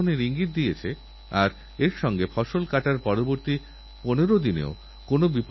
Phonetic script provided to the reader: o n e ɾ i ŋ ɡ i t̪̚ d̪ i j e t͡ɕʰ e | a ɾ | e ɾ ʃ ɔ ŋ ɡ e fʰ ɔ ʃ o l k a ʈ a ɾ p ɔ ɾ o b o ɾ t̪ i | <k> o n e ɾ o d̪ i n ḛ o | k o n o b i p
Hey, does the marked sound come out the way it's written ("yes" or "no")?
no